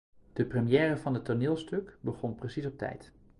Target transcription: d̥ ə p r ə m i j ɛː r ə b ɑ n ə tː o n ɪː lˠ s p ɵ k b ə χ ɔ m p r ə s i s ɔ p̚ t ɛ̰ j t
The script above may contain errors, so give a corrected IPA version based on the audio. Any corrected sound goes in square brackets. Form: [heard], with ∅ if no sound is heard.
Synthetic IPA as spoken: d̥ ə p r ə m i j ɛː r ə [v] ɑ n ə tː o n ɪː lˠ s [t] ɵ k b ə χ ɔ [n] p r ə s i s ɔ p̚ t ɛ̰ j t

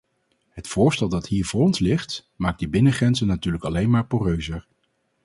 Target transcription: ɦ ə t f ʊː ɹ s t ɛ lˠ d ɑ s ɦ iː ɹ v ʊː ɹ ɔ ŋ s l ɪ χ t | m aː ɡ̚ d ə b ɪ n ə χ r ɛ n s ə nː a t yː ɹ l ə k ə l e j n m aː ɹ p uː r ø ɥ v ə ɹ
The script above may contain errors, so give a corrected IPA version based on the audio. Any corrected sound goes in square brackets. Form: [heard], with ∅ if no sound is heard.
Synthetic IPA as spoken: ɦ ə t f ʊː ɹ s t ɛ lˠ d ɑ [t] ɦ iː ɹ v ʊː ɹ ɔ [n] s l ɪ χ t | m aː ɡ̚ d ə b ɪ n ə χ r ɛ n [z] ə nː a t yː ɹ l ə k [ɑ] l e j n m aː ɹ p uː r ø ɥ [z] ə ɹ

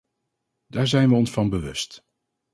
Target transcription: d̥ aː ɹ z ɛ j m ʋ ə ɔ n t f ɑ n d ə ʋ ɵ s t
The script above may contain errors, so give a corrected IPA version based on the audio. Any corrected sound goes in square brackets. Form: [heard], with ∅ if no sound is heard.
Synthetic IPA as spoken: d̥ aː ɹ z ɛ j [n] ʋ ə ɔ n [s] f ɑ n [b] ə ʋ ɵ s t

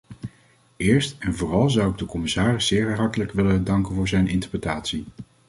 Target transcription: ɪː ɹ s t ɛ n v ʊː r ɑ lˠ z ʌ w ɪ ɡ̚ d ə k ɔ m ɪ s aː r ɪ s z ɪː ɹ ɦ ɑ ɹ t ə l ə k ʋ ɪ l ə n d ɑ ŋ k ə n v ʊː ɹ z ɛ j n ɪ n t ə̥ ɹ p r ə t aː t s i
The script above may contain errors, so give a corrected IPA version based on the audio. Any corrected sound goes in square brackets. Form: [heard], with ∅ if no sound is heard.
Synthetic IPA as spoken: ɪː ɹ s t ɛ n v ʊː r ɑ lˠ z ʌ w ɪ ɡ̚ d ə k ɔ m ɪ s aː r ɪ s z ɪː ɹ ɦ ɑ ɹ t ə l ə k ʋ ɪ l ə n d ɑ ŋ k ə n v ʊː ɹ z ɛ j n ɪ n t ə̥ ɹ p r ə t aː t s i

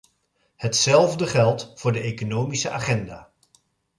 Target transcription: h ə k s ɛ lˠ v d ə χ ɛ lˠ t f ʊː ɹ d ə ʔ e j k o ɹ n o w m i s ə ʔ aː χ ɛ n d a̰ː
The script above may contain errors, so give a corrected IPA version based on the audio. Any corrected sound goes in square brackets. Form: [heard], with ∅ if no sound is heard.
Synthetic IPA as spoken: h ə [t] s ɛ lˠ v d ə χ ɛ lˠ t f ʊː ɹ d ə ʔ e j k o [∅] n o w m i s ə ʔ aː χ ɛ n d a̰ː

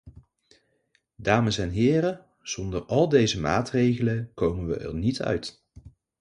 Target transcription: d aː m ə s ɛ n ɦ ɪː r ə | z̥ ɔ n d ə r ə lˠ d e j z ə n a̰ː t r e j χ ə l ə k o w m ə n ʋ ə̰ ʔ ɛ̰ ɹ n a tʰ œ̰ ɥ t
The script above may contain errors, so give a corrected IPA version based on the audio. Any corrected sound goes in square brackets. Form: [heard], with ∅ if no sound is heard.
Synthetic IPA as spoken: d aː m ə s ɛ n ɦ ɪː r ə | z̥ ɔ n d ə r [ɑ] lˠ d e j z ə [m] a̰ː t r e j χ ə l ə k o w m ə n ʋ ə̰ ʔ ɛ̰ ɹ n [i] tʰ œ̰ ɥ t

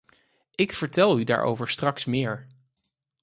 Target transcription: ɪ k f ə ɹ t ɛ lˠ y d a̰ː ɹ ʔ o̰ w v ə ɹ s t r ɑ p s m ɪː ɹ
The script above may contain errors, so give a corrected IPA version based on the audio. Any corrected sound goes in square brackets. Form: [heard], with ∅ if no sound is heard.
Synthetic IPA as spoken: ɪ k f ə ɹ t ɛ lˠ y d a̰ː ɹ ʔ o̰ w v ə ɹ s t r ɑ [k] s m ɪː ɹ

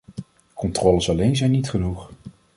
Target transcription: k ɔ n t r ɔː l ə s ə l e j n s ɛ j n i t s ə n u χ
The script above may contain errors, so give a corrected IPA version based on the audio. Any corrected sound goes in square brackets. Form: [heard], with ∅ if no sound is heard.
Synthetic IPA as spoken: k ɔ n t r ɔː l ə s [ɑ] l e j n [z] ɛ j n i t [χ] ə n u χ

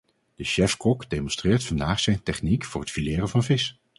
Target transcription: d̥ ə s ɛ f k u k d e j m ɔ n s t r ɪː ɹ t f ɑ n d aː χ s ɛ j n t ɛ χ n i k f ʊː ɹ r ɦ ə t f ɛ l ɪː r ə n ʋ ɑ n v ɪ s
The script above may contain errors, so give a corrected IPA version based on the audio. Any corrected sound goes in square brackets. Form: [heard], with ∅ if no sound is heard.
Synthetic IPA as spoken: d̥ ə [ʃ] ɛ f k [ɔ] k d e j m ɔ n s t r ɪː ɹ t f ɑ n d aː χ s ɛ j n t ɛ χ n i k f ʊː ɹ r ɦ ə t f [i] l ɪː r ə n [v] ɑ n v ɪ s

